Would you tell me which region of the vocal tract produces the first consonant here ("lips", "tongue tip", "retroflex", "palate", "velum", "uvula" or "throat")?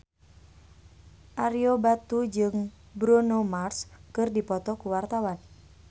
throat